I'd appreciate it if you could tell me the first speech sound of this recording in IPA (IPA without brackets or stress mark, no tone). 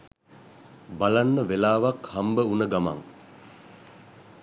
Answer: b